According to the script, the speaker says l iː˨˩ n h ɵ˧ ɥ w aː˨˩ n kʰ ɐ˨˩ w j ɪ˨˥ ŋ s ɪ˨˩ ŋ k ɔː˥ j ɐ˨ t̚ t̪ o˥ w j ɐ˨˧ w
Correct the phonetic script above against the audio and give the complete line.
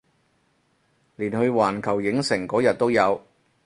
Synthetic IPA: l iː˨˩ n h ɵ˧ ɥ w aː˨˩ n kʰ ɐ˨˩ w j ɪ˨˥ ŋ s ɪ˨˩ ŋ k ɔː˨˥ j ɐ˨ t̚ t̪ o˥ w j ɐ˨˧ w